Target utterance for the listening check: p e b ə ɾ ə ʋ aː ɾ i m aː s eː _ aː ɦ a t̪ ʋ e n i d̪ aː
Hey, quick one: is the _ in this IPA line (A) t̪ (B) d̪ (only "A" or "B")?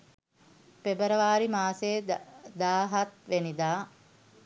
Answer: B